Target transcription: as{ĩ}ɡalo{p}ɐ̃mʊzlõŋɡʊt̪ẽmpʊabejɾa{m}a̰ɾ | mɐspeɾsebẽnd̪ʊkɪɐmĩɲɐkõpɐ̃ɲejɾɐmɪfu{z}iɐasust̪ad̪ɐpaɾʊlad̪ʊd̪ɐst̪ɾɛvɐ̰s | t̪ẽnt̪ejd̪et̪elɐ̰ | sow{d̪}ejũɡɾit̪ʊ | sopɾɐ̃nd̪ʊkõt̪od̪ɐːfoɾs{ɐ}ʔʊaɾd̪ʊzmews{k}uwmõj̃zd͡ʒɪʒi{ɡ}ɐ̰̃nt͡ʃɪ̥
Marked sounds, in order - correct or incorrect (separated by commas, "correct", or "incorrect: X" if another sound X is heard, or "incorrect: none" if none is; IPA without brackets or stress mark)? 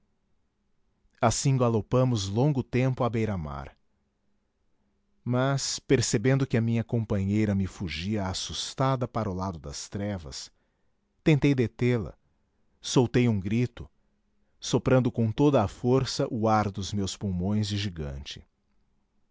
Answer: correct, correct, correct, incorrect: ʒ, incorrect: t̪, correct, incorrect: p, correct